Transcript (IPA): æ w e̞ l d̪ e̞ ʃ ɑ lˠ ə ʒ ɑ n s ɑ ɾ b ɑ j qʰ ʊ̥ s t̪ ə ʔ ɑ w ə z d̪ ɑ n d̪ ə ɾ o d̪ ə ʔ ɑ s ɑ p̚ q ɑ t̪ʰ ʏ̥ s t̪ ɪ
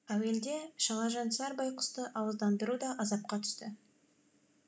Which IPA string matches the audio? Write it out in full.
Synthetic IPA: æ w e̞ l d̪ e̞ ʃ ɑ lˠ ɑ ʒ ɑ n s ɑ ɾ b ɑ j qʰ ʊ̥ s t̪ ə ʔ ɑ w ə z d̪ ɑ n d̪ ə ɾ u d̪ ɑ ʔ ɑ z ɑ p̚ q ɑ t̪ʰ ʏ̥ s t̪ ɪ